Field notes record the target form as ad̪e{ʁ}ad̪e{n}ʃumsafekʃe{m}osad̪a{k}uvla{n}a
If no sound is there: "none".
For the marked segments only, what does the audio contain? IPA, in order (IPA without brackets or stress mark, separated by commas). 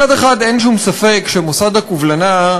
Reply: χ, n, m, k, n